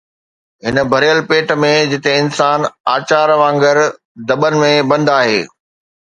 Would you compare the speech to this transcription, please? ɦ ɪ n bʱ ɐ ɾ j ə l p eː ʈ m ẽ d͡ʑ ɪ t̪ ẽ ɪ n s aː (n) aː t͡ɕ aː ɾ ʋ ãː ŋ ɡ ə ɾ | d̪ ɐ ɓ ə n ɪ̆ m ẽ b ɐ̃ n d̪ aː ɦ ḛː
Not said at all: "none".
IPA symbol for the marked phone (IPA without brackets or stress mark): n